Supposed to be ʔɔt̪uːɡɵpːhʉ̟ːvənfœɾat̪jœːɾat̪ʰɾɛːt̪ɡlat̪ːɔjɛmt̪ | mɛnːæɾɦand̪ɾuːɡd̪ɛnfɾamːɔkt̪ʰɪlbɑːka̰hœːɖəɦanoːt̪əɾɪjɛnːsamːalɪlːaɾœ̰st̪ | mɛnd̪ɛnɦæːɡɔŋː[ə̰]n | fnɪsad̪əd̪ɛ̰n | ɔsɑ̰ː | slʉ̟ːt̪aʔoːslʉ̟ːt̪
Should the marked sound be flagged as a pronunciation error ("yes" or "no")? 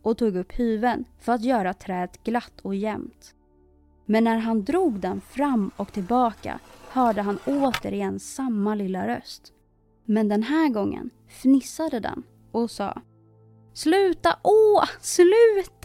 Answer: no